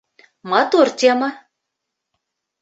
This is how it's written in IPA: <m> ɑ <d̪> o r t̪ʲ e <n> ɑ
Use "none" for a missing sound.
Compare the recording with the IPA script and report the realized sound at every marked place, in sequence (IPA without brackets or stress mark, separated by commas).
m, t̪, m